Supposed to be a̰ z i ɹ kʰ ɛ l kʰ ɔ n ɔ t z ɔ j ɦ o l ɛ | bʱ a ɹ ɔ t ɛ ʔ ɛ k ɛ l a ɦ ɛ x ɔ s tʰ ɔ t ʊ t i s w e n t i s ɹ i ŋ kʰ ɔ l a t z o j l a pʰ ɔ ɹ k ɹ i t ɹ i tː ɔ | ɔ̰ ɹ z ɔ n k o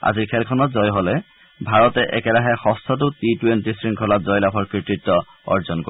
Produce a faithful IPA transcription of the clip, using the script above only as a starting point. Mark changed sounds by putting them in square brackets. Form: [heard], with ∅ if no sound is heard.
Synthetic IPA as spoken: a̰ z i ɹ kʰ ɛ l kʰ ɔ n ɔ t z ɔ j ɦ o l ɛ | bʱ a ɹ ɔ t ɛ ʔ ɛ k ɛ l a ɦ ɛ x ɔ s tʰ ɔ t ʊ t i [t] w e n t i s ɹ i ŋ kʰ ɔ l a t z [ɔ] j l a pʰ ɔ ɹ k ɹ i t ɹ i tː ɔ | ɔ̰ ɹ z ɔ n k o